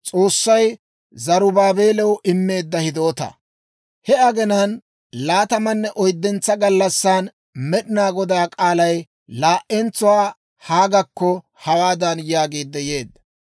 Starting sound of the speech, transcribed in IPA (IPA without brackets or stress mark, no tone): t͡sʼ